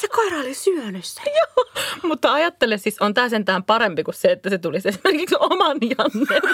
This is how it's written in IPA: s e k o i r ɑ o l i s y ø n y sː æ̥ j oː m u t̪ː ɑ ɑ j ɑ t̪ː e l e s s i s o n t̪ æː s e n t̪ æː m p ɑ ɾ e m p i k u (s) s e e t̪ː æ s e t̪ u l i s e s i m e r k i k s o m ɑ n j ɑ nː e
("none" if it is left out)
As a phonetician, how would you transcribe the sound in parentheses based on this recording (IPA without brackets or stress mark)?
s